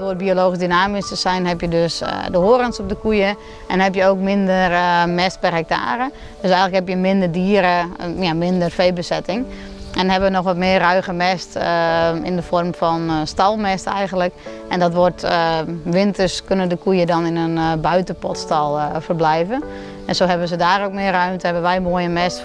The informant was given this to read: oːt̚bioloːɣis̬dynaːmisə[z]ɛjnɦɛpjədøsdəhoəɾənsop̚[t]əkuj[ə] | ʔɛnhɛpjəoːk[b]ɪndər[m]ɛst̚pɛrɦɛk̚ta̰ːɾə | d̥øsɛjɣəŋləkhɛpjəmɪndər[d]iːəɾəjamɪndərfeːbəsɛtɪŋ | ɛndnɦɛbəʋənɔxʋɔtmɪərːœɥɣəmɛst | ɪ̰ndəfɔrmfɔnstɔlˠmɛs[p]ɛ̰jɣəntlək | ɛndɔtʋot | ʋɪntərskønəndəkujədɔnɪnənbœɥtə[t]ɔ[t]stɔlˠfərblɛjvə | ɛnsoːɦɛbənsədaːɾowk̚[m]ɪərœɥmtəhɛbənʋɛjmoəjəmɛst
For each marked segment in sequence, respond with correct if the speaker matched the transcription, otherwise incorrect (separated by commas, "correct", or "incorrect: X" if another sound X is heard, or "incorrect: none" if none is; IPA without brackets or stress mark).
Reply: incorrect: s, incorrect: d, correct, incorrect: m, correct, correct, incorrect: t, incorrect: p, correct, correct